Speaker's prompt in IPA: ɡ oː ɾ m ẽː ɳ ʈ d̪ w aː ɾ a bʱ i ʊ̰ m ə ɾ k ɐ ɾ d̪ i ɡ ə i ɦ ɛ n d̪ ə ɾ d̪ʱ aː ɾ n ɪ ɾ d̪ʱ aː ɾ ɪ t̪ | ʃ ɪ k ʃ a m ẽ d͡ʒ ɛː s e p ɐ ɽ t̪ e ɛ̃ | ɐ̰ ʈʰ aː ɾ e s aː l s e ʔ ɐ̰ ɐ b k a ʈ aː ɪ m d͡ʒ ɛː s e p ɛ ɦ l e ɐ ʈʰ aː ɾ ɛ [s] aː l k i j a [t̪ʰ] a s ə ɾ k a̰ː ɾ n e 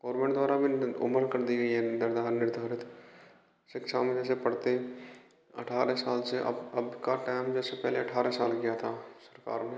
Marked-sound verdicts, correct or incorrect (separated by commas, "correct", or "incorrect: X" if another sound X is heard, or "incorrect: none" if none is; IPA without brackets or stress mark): correct, correct